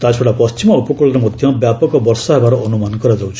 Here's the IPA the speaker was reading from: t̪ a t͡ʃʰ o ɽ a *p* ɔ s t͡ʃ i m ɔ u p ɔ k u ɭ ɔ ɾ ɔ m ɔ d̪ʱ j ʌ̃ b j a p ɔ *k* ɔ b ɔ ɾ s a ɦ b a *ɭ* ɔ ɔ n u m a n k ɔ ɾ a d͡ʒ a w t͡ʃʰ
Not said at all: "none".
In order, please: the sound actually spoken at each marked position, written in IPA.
p, k, ɾ

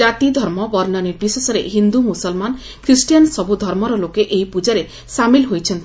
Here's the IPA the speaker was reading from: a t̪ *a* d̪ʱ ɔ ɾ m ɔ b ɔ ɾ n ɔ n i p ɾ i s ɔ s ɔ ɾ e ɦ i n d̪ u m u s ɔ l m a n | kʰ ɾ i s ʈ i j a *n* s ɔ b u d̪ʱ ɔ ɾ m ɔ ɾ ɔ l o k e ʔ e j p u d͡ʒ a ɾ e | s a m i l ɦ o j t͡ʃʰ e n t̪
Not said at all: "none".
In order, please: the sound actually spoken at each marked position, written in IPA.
i, n

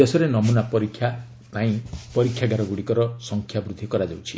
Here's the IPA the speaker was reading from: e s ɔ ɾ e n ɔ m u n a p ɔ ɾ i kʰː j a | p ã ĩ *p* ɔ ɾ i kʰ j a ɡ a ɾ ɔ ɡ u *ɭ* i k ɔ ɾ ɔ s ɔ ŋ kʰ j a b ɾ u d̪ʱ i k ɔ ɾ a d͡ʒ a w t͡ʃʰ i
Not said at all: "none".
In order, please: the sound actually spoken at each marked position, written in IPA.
p, ɽ

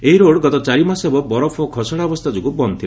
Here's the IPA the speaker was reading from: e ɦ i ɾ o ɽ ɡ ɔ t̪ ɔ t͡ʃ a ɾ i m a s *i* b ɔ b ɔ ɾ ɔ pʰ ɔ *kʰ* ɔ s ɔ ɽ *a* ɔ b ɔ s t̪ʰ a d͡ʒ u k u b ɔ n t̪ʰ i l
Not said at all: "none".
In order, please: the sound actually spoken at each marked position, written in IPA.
e, kʰ, a

